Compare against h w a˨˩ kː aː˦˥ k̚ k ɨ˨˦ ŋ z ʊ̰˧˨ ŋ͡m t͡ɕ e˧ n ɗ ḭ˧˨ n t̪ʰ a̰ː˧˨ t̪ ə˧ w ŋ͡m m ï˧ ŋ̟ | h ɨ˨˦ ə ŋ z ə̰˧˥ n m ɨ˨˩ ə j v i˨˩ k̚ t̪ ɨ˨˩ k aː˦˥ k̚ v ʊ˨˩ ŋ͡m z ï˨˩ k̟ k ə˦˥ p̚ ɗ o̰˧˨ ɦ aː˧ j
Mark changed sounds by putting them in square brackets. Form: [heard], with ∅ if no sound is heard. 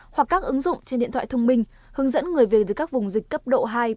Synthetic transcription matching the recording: h w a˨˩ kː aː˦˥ k̚ [ʔ] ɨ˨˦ ŋ z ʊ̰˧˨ ŋ͡m t͡ɕ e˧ n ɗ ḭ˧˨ n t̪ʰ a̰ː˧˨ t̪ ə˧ w ŋ͡m m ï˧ ŋ̟ | h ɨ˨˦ ə ŋ z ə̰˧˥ n [ŋ] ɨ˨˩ ə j v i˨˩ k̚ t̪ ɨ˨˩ k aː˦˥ k̚ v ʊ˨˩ ŋ͡m z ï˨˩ k̟ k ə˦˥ p̚ ɗ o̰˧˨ ɦ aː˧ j